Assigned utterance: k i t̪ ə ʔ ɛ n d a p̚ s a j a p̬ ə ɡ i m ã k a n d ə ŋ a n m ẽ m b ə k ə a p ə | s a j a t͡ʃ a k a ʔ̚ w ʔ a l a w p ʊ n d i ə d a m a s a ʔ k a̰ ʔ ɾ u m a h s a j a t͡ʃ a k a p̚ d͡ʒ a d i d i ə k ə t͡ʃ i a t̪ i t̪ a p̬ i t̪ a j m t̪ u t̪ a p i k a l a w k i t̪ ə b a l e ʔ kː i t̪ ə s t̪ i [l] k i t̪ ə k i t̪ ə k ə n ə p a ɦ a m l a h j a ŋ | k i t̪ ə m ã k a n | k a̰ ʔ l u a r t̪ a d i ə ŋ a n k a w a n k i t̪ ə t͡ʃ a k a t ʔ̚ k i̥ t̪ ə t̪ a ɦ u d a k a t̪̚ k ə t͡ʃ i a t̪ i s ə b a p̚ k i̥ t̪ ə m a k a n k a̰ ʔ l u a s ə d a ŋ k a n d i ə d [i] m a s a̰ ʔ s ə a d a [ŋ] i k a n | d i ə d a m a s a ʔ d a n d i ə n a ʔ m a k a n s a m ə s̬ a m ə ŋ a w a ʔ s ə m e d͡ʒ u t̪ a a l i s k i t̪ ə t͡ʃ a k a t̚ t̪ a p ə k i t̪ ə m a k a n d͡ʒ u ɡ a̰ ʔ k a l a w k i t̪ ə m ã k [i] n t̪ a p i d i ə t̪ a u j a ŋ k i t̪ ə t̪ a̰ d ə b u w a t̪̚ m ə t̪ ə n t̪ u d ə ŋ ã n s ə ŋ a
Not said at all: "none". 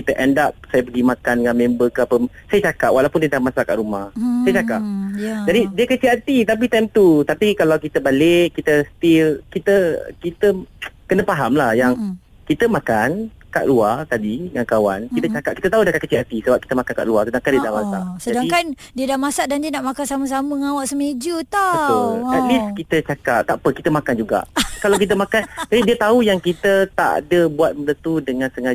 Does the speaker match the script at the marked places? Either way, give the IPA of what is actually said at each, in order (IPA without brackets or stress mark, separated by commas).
l, a, ŋ, a